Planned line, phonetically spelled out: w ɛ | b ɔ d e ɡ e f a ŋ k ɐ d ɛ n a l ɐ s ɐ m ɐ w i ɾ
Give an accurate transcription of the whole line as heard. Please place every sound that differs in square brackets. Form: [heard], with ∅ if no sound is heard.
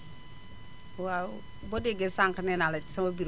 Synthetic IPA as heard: w [a] | b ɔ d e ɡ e [s] a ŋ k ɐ [n] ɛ n a l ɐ s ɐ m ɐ [b] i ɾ